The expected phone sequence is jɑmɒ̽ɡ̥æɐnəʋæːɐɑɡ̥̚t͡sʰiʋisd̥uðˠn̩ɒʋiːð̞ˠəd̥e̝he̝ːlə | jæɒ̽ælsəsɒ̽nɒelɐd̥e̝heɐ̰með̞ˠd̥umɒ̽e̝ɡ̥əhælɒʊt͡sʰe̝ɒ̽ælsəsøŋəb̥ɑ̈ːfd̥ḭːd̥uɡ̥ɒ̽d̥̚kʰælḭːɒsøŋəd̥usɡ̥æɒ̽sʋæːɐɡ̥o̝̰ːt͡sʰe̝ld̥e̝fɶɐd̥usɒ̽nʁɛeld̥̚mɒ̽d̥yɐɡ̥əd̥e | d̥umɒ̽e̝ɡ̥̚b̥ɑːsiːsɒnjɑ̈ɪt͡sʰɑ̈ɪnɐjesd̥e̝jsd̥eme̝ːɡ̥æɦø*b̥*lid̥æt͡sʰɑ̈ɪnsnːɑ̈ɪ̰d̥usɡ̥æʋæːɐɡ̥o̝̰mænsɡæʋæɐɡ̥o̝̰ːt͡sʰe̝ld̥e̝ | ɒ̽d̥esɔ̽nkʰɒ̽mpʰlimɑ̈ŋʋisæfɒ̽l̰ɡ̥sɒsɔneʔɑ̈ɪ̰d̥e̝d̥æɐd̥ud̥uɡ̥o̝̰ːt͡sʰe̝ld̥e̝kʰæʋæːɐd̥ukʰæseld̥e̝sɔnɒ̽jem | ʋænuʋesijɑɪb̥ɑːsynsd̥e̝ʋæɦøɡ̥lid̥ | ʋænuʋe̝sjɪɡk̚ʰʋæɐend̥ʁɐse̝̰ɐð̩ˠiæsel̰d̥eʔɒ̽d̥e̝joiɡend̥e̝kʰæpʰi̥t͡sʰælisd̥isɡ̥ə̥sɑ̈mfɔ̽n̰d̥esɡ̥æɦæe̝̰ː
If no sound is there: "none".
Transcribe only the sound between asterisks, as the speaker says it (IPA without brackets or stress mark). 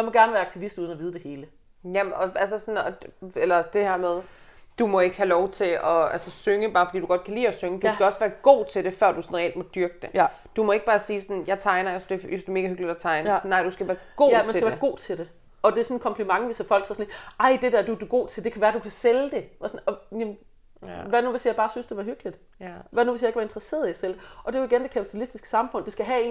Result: ɡ̥